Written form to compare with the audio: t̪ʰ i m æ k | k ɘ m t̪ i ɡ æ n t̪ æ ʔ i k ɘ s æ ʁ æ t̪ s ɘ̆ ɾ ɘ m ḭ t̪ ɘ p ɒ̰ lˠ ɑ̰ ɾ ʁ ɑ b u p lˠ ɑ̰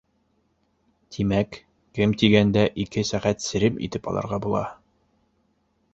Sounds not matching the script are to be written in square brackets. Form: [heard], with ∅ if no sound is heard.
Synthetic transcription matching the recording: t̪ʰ i m æ k | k ɘ m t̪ i ɡ æ n [d̪] æ ʔ i k ɘ s æ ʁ æ t̪ s ɘ̆ ɾ ɘ m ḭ t̪ ɘ p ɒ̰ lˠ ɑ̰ ɾ ʁ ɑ b u [∅] lˠ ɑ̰